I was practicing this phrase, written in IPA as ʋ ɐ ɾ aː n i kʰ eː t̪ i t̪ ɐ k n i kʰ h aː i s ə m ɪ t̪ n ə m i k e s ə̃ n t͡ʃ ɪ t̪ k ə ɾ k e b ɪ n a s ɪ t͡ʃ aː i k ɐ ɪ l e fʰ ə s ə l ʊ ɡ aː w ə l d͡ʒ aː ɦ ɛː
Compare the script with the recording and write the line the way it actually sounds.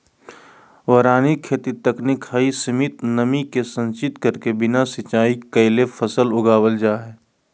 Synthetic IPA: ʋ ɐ ɾ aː n i kʰ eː t̪ i t̪ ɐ k n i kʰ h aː i s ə m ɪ t̪ n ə m i k e s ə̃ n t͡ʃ ɪ t̪ k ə ɾ k e b ɪ n a s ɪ t͡ʃ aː i k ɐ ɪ l e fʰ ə s ə l ʊ ɡ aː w ə l d͡ʒ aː ɦ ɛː